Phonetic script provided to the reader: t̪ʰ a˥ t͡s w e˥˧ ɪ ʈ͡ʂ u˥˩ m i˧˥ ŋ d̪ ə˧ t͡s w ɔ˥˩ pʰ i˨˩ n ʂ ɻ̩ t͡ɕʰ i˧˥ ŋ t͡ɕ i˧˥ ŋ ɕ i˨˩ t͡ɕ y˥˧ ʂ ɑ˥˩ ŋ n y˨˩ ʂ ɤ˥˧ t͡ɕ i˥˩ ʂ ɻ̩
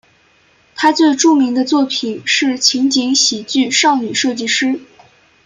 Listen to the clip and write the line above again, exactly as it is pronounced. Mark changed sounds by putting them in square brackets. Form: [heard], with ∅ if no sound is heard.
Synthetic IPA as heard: t̪ʰ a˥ t͡s w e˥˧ ɪ ʈ͡ʂ u˥˩ m i˧˥ ŋ d̪ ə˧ t͡s w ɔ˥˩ pʰ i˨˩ n ʂ ɻ̩ t͡ɕʰ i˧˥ ŋ t͡ɕ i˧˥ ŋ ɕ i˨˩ t͡ɕ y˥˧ ʂ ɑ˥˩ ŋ n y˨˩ ʂ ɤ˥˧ t͡ɕ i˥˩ ʂ ɻ̩